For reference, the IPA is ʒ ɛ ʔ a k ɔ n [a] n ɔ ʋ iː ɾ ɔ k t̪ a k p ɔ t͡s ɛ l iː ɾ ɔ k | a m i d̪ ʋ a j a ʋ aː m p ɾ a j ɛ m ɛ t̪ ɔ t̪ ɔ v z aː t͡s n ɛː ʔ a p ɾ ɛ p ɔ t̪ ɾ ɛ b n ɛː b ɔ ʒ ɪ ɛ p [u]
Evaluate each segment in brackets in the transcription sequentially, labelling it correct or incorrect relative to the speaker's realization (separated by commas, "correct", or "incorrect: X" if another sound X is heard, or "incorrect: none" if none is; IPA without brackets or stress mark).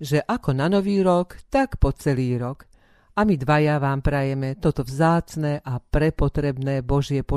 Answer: correct, incorrect: ɔ